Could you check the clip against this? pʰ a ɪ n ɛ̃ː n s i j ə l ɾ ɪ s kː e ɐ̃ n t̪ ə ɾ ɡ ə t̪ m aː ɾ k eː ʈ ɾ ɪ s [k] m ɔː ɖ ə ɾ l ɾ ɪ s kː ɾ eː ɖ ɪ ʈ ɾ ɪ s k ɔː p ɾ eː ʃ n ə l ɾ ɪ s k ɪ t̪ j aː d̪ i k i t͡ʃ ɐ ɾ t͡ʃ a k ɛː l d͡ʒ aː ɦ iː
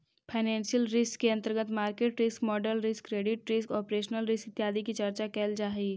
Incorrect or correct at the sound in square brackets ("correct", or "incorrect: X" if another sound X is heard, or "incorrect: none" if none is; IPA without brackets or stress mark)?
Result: correct